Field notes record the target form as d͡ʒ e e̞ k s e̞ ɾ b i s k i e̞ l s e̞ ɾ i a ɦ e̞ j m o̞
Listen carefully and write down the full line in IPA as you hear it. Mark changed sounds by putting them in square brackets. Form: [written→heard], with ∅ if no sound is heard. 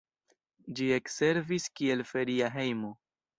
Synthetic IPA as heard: d͡ʒ [e→i] e̞ k s e̞ ɾ [b→v] i s k i e̞ l [s→f] e̞ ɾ i a ɦ e̞ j m o̞